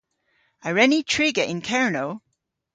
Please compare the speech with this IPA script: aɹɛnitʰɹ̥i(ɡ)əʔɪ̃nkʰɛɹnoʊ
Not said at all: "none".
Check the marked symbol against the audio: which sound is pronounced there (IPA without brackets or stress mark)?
ɡ